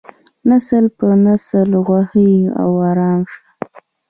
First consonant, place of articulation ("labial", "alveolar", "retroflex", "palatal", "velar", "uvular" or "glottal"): alveolar